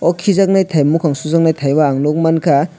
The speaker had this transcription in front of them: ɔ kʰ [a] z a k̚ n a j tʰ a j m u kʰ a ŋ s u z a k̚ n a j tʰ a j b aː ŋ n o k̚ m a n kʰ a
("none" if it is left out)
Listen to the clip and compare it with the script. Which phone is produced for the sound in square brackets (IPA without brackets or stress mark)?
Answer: i